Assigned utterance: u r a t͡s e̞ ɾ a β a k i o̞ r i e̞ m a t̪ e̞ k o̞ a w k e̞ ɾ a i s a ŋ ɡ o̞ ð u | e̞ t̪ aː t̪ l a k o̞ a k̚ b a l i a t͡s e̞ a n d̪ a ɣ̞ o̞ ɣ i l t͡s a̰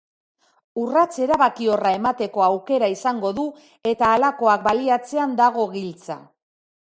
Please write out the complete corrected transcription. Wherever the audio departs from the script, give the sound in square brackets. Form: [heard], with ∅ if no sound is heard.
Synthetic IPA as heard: u r a t͡s e̞ ɾ a β a k i o̞ r [a] e̞ m a t̪ e̞ k o̞ a w k e̞ ɾ a i s a ŋ ɡ o̞ ð u | e̞ t̪ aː [∅] l a k o̞ a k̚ b a l i a t͡s e̞ a n d̪ a ɣ̞ o̞ ɣ i l t͡s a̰